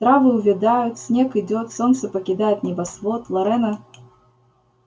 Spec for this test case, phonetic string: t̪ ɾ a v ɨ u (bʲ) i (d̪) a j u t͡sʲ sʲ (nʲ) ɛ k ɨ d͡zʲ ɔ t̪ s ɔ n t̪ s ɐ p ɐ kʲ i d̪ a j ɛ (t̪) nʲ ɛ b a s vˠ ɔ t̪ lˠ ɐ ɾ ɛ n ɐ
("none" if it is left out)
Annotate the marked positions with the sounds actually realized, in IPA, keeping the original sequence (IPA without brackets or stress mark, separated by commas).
vʲ, d̪, nʲ, t̪